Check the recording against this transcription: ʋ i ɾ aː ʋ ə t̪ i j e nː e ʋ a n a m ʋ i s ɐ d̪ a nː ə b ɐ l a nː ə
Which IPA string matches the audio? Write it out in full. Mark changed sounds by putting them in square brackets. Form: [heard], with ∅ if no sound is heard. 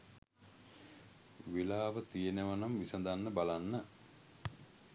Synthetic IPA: ʋ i [l] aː ʋ ə t̪ i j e [n] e ʋ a n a m ʋ i s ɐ d̪ a nː ə b [a] l a nː ə